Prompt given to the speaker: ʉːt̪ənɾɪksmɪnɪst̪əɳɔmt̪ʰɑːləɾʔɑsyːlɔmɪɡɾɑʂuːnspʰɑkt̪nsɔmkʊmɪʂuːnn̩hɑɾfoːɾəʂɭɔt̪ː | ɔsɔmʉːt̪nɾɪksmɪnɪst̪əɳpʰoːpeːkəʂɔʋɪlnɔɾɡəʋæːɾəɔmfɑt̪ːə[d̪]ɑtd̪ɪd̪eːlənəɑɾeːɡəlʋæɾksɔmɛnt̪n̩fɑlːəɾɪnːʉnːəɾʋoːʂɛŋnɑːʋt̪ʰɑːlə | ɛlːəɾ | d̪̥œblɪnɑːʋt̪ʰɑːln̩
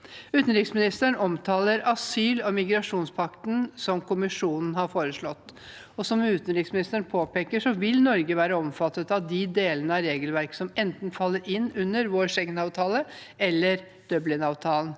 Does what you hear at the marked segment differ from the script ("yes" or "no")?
yes